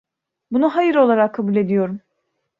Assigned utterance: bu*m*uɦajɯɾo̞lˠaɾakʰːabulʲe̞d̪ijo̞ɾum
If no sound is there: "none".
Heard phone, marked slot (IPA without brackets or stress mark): n